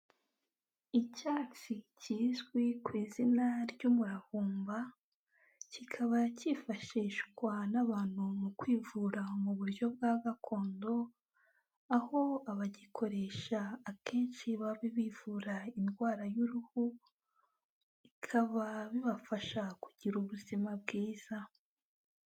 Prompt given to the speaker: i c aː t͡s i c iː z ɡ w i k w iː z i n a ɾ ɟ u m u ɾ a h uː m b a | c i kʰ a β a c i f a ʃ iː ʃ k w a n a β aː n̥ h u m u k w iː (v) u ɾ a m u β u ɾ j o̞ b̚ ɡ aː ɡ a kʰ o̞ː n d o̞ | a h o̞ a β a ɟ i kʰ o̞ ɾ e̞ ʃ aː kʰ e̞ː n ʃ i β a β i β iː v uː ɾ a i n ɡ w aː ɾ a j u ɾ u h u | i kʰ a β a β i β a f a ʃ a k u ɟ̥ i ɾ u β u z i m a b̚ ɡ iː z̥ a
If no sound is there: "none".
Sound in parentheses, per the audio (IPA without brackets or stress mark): v